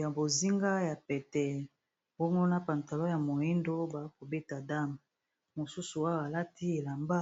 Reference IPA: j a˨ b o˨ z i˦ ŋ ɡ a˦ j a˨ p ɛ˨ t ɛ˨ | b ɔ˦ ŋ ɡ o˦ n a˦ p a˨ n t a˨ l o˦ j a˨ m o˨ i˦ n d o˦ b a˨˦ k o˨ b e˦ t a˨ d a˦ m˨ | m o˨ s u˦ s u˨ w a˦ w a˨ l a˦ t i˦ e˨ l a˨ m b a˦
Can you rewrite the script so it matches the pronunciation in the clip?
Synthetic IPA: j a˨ b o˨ z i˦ ŋ ɡ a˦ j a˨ p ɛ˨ t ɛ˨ | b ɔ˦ ŋ ɡ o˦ n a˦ p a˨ n t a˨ l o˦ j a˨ m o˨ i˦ n d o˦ b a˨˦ k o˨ b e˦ t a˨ d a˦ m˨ | m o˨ s u˦ s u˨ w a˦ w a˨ l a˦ t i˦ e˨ l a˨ m b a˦